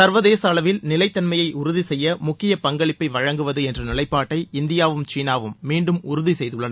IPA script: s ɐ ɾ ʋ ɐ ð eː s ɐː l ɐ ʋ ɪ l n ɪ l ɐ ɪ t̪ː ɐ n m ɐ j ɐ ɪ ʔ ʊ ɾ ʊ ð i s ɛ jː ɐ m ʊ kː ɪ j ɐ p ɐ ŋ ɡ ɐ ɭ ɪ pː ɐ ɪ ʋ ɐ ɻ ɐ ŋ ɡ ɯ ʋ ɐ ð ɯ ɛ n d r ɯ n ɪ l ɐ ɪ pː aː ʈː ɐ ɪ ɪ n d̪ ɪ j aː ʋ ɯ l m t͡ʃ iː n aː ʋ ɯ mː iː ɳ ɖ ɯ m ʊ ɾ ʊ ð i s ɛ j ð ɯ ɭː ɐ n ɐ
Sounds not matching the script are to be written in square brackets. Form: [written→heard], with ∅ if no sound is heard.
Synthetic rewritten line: s ɐ ɾ ʋ ɐ ð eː s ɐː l ɐ ʋ ɪ l n ɪ l ɐ ɪ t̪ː ɐ n m ɐ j ɐ ɪ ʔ ʊ ɾ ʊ ð i s ɛ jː ɐ m ʊ kː ɪ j ɐ p ɐ ŋ ɡ ɐ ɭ ɪ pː ɐ ɪ ʋ ɐ ɻ ɐ ŋ ɡ ɯ ʋ ɐ ð ɯ ɛ n d r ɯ n ɪ l ɐ ɪ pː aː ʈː ɐ ɪ ɪ n d̪ ɪ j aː ʋ ɯ [l→∅] m t͡ʃ iː n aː ʋ ɯ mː iː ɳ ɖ ɯ m ʊ ɾ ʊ ð i s ɛ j ð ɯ ɭː ɐ n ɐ